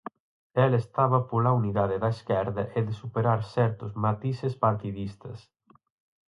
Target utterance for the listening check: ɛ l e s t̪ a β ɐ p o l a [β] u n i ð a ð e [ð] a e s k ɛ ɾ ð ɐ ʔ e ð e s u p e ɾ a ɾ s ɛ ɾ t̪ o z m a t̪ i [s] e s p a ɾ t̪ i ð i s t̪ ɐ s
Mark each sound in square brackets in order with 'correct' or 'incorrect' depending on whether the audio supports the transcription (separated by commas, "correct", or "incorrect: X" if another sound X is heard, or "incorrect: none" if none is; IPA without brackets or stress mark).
incorrect: none, correct, correct